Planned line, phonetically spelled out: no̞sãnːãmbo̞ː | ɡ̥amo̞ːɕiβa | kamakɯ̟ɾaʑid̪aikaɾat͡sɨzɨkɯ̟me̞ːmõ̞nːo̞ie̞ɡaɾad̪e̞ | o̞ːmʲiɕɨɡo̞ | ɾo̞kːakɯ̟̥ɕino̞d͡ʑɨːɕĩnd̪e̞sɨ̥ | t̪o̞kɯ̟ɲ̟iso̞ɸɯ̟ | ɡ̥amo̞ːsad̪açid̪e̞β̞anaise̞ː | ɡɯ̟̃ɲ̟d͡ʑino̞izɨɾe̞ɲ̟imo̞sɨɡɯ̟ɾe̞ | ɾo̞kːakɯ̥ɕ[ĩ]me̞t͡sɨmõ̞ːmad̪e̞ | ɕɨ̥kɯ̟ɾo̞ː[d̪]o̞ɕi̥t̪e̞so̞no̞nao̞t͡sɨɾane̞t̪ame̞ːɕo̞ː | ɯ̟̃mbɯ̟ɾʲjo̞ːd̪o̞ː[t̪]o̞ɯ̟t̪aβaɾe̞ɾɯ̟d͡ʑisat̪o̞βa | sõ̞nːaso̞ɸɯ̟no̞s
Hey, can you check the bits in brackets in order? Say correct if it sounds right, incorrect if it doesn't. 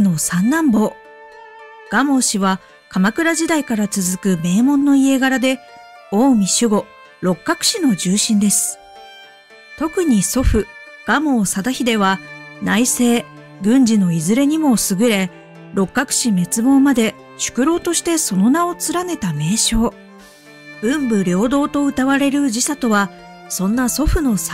incorrect: i, incorrect: t̪, correct

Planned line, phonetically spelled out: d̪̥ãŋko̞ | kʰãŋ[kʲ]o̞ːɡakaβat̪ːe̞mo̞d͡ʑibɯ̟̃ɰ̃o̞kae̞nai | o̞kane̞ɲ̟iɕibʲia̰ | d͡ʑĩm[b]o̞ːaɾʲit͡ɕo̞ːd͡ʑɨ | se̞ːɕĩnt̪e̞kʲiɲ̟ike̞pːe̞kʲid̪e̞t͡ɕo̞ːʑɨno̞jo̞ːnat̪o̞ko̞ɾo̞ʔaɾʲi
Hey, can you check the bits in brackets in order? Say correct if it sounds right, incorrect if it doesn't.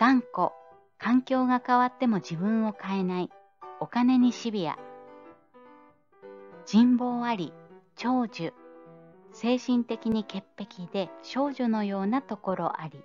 correct, correct

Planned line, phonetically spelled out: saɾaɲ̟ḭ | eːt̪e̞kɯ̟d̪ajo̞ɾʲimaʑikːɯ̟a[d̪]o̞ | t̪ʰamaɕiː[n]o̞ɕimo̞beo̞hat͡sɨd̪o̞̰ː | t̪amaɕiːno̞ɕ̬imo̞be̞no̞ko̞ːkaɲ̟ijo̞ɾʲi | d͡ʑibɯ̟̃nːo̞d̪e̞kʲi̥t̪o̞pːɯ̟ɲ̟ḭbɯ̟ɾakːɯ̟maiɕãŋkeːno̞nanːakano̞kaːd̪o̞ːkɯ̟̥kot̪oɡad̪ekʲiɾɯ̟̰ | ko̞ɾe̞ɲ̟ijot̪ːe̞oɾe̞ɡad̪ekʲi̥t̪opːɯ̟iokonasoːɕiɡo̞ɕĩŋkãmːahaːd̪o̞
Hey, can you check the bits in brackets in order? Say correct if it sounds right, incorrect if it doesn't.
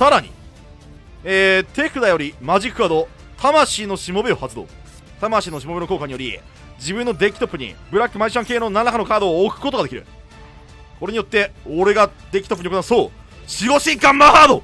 correct, correct

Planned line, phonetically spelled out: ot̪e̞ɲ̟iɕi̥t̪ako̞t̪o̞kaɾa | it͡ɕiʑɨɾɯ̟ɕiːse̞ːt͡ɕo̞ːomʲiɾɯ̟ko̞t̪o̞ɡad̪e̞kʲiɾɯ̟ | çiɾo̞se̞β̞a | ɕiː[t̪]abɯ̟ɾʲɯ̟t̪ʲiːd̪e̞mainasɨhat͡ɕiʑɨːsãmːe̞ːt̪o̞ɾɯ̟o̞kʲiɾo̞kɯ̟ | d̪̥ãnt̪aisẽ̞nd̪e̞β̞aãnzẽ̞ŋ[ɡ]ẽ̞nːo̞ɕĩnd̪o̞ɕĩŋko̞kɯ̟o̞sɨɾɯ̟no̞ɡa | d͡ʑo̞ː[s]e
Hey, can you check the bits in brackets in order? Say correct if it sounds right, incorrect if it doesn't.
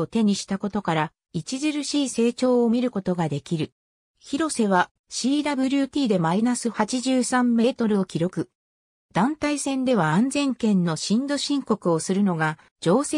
incorrect: d̪, incorrect: k, correct

